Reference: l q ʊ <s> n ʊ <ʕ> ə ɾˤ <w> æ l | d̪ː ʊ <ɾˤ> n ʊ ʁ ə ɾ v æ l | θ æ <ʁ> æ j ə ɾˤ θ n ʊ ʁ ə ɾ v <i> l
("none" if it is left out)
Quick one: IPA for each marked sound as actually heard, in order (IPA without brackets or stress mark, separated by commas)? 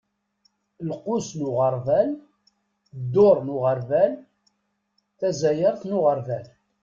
s, ʁ, v, ɾˤ, z, æ